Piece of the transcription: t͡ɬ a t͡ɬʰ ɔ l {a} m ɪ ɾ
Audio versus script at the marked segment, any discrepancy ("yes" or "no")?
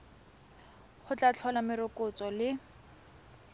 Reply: no